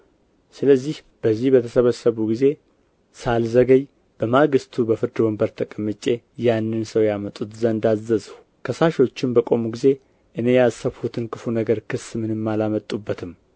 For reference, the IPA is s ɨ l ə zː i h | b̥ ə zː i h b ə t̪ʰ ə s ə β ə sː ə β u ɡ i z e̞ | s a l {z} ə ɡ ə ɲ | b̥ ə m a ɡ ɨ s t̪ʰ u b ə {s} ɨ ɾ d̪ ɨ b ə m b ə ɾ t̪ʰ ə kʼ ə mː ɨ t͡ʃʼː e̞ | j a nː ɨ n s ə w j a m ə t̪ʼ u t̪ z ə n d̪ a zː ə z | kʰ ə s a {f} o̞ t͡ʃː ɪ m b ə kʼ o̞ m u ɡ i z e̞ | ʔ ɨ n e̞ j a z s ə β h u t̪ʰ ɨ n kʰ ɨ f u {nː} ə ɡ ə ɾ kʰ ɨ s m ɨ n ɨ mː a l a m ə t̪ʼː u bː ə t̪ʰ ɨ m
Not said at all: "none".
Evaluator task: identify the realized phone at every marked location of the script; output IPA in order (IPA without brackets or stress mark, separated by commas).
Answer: z, f, ʃ, n